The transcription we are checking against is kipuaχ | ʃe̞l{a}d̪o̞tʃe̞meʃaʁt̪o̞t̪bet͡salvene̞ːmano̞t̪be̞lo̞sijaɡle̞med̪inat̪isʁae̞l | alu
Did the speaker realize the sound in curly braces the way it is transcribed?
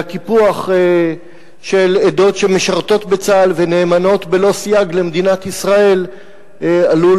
no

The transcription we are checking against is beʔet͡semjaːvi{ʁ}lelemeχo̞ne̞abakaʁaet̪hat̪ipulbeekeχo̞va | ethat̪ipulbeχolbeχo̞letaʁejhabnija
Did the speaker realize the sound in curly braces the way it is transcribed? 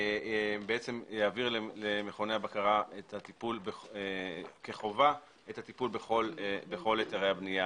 yes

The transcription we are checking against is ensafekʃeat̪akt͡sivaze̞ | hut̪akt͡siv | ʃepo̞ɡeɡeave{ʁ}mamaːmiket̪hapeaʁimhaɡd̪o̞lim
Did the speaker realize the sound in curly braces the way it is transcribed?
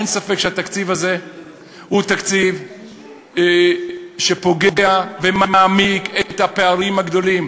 no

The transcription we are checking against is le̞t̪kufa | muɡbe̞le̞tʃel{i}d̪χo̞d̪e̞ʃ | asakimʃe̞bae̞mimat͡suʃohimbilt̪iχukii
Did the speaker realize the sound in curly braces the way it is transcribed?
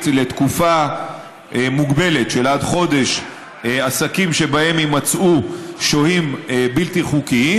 no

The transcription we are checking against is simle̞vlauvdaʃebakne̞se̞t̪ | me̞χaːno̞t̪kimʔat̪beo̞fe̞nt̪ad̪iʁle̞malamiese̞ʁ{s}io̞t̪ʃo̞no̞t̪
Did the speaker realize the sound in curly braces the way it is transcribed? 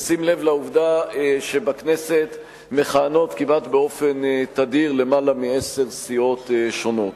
yes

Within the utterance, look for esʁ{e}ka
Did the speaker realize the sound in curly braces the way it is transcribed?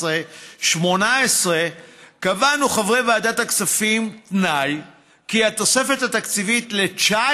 yes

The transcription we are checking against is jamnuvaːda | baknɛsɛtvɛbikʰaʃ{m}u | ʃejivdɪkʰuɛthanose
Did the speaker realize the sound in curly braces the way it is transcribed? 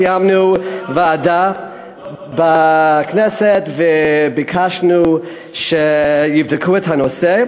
no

